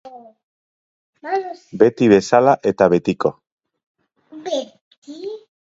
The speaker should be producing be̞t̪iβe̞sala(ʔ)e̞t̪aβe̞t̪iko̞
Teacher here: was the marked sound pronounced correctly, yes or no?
yes